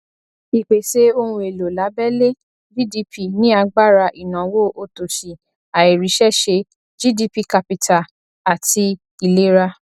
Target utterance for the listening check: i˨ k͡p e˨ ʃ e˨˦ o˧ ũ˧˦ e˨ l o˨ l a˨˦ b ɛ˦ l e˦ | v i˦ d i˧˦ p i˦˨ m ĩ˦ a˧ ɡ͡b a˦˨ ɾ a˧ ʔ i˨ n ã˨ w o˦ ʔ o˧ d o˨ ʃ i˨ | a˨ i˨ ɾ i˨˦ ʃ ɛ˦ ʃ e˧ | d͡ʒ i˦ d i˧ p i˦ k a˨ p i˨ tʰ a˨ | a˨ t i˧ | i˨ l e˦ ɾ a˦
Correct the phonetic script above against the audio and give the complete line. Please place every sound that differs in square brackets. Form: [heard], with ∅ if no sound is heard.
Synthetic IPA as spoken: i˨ k͡p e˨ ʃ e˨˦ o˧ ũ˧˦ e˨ l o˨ l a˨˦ b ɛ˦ l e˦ | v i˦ d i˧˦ p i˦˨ [n] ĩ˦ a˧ ɡ͡b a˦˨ ɾ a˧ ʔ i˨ n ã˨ w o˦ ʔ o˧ [t] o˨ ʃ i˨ | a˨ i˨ ɾ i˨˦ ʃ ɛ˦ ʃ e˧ | d͡ʒ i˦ d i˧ p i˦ k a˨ p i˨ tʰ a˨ | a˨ t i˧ | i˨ l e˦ ɾ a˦